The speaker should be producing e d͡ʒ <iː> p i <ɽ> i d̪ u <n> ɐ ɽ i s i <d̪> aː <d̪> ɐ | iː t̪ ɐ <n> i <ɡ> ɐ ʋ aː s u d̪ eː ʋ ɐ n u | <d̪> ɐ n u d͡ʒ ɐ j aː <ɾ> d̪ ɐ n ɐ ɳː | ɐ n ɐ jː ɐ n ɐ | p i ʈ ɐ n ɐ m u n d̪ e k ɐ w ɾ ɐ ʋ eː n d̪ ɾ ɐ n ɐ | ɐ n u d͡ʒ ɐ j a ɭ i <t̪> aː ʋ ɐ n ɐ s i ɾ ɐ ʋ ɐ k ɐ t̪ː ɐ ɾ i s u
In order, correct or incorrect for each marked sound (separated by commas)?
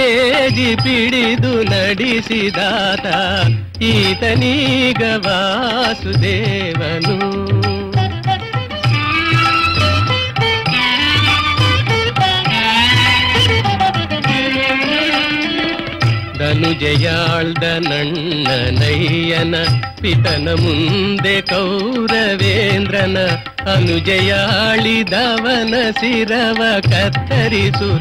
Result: incorrect, correct, correct, correct, incorrect, correct, correct, correct, incorrect, incorrect